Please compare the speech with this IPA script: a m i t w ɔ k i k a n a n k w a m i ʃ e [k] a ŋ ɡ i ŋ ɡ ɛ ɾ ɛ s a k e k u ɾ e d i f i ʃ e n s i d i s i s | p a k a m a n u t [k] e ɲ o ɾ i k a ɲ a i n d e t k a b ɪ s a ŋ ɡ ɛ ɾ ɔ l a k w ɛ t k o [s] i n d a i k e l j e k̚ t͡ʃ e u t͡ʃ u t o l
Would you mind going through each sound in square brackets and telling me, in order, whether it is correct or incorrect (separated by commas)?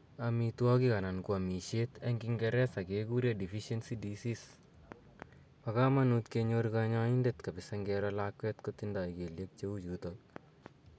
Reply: incorrect, correct, incorrect